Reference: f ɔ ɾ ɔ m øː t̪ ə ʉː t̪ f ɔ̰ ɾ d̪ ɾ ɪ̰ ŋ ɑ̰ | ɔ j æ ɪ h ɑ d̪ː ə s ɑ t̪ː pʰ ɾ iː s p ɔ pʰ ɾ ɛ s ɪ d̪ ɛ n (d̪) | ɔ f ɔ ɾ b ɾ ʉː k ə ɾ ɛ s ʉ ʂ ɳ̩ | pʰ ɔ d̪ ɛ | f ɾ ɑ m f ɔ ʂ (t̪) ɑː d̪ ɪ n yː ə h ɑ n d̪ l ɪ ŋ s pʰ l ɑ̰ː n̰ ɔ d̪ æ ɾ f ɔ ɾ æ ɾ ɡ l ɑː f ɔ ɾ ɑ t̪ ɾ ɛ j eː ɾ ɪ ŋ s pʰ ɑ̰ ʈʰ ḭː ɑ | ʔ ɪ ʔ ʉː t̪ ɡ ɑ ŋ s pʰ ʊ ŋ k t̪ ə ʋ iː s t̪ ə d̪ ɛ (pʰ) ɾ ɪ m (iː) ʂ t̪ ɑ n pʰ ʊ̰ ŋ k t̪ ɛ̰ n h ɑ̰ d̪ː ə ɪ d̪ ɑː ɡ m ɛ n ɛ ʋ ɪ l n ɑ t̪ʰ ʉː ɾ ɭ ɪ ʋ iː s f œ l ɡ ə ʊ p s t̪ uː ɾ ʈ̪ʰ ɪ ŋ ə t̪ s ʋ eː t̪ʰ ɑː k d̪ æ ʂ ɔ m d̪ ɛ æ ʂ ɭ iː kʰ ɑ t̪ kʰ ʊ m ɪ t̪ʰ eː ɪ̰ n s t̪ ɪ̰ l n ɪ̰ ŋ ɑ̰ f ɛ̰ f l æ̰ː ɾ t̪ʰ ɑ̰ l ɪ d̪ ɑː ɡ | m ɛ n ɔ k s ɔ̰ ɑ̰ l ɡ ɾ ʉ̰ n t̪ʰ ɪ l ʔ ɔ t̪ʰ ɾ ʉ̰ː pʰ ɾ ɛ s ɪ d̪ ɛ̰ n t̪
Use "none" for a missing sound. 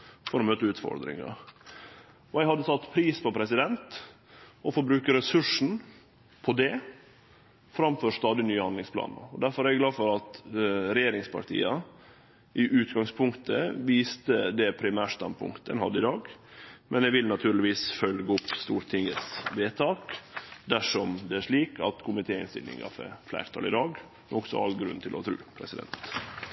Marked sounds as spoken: t̪, t̪, pʰ, æː

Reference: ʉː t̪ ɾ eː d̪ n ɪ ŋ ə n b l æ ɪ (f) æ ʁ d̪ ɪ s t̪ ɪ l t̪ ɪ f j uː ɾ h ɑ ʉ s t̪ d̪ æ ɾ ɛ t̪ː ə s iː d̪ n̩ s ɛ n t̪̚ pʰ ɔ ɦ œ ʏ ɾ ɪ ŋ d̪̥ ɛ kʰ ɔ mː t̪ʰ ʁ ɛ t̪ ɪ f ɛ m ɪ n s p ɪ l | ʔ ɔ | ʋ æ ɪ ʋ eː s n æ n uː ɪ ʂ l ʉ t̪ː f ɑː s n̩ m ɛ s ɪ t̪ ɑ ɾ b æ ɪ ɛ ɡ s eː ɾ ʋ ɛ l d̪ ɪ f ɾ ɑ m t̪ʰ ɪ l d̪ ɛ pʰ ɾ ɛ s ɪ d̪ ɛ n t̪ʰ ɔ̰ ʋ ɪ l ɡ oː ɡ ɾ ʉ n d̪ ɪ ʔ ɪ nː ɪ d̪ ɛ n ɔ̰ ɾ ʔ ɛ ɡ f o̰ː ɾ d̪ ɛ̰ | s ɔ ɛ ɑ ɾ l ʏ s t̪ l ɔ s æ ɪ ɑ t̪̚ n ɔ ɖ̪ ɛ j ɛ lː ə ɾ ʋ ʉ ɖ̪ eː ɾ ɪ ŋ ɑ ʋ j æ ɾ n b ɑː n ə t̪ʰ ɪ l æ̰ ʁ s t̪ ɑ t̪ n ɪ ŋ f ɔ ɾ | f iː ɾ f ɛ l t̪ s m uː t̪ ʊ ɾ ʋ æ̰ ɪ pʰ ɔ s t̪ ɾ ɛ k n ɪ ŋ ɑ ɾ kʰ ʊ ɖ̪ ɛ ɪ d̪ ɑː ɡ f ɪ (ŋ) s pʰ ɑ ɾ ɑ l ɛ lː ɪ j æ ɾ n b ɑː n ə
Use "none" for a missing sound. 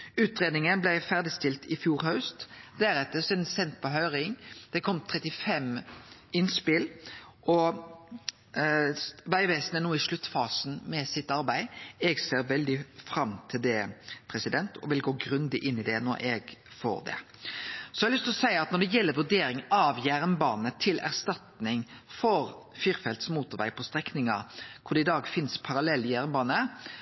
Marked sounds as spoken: f, n

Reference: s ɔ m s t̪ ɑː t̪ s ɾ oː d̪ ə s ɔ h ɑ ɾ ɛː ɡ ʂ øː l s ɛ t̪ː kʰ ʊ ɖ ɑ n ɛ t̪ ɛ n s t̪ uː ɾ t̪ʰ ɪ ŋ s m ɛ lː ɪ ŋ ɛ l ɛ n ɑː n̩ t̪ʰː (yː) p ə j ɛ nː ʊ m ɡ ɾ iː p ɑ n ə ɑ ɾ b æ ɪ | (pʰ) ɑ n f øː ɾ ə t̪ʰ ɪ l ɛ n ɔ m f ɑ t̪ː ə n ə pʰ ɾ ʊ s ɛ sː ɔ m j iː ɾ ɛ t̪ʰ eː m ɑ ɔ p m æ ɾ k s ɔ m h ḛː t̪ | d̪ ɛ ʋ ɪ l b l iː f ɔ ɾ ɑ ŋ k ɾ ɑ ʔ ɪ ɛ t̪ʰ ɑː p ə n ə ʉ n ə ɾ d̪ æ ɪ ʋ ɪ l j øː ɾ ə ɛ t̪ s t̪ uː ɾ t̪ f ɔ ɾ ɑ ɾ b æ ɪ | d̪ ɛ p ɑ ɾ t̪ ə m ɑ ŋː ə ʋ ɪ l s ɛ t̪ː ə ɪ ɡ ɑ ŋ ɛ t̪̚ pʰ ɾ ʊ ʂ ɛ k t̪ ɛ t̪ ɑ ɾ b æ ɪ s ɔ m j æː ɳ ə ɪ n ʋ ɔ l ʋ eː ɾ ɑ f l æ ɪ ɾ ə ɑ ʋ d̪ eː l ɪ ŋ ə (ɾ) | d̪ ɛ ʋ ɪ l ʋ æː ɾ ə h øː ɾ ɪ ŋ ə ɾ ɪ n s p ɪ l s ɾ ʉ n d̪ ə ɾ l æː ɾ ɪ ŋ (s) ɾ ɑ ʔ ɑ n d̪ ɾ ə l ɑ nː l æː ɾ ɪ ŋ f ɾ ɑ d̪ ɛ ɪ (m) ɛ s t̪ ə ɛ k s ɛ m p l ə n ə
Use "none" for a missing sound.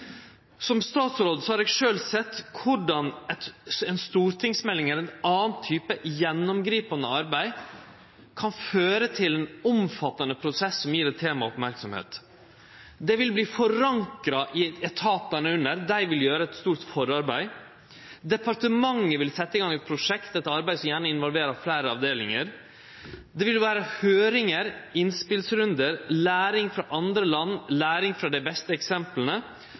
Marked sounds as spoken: yː, kʰ, ɾ, f, b

